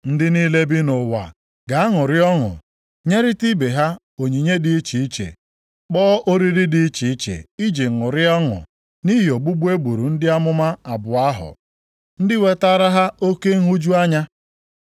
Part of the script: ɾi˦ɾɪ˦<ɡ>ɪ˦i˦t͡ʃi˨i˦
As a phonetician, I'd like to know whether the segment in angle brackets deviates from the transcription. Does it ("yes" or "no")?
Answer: yes